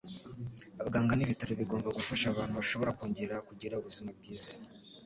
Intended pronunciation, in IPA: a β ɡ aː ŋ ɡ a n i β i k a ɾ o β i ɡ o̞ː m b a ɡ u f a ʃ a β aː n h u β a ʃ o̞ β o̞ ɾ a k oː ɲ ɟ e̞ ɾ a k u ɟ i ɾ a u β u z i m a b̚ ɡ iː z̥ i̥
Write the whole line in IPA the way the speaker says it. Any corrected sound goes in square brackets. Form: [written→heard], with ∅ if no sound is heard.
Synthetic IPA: a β ɡ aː ŋ ɡ a n i β i [k→t] a ɾ o β i ɡ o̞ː m b a ɡ u f a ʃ a β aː n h u β a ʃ o̞ β o̞ ɾ a k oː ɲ ɟ e̞ ɾ a k u ɟ i ɾ a u β u z i m a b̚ ɡ iː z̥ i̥